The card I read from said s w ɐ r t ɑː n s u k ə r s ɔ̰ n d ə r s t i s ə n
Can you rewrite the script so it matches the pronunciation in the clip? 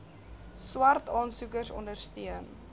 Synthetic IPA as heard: s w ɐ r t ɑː n s u k ə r s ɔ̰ n d ə r s t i ə n